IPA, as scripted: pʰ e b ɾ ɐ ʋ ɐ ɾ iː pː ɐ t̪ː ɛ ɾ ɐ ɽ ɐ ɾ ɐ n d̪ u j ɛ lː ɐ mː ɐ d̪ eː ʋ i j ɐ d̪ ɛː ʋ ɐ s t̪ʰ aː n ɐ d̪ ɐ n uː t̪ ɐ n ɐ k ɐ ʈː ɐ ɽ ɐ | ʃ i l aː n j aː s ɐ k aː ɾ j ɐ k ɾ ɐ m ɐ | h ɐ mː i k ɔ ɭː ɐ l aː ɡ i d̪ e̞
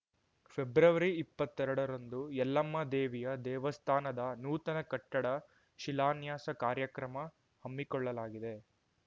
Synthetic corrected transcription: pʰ e b ɾ ɐ ʋ ɐ ɾ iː pː ɐ t̪ː ɛ ɾ ɐ ɽ ɐ ɾ ɐ n d̪ u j ɛ lː ɐ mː ɐ d̪ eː ʋ i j ɐ d̪ ɛː ʋ ɐ s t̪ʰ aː n ɐ d̪ ɐ n uː t̪ ɐ n ɐ k ɐ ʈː ɐ ɽ ɐ | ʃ i l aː n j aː s ɐ k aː ɾ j ɐ k ɾ ɐ m ɐ | h ɐ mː i k ɔ ɭː ɐ l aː ɡ i d̪ e̞